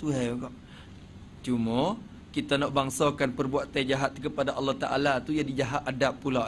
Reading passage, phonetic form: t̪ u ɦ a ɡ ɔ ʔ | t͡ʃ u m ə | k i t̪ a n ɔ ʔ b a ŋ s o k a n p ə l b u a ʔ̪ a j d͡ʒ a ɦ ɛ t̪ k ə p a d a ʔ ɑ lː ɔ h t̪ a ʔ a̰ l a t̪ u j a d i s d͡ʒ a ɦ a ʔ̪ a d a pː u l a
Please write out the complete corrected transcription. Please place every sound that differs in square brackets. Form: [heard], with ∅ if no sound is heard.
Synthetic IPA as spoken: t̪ u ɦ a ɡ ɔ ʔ | t͡ʃ u m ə | k i t̪ a n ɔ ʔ b a ŋ s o k a n p ə [r] b u a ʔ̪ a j d͡ʒ a ɦ [a] t̪ k ə p a d a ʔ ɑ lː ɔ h t̪ a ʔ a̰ l a t̪ u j a d i [∅] d͡ʒ a ɦ a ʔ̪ a d a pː u l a